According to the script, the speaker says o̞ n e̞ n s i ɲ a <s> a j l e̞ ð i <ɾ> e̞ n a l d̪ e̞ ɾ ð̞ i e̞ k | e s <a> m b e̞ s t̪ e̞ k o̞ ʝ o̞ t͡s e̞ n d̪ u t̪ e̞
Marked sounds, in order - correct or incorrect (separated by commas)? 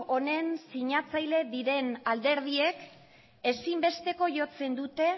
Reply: incorrect, correct, incorrect